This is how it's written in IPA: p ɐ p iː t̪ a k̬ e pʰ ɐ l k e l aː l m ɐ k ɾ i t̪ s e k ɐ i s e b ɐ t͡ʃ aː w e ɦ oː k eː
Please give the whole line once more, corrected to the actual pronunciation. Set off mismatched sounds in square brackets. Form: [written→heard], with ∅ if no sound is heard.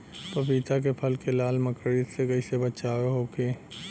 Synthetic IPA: p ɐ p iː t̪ a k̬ e pʰ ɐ l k e l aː l m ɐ k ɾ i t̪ s e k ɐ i s e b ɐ t͡ʃ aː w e ɦ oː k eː